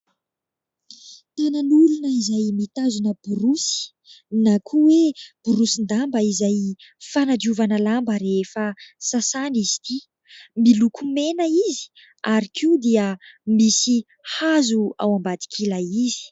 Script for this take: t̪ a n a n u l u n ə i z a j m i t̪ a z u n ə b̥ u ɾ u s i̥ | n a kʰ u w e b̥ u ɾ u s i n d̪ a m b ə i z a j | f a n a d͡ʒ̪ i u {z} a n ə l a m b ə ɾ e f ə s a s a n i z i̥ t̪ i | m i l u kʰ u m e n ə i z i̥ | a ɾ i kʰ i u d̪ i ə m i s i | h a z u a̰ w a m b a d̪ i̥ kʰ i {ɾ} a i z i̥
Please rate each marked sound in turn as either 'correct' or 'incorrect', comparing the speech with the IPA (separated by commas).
incorrect, incorrect